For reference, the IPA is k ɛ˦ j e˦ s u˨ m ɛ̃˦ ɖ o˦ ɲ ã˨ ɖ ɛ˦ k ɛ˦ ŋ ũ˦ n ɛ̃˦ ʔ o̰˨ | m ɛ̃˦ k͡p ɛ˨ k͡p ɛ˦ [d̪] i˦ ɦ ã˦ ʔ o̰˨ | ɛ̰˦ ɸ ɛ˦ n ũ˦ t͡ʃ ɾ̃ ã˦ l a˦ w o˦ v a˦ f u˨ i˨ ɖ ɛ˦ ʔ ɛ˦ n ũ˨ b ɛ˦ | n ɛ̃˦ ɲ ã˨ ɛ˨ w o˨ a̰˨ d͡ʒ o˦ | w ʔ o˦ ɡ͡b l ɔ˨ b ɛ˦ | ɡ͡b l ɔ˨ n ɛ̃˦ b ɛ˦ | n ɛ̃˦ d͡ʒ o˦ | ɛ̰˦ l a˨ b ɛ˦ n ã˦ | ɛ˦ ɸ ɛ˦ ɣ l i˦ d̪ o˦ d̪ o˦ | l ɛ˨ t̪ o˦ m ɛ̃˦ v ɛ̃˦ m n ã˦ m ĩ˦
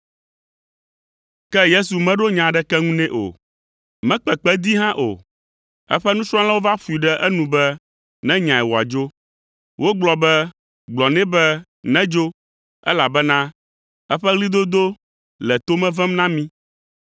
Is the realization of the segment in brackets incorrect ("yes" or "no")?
no